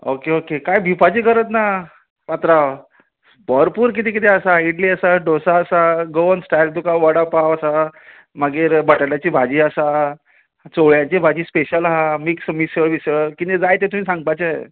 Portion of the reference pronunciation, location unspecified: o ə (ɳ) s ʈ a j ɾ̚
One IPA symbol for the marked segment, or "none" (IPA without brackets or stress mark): n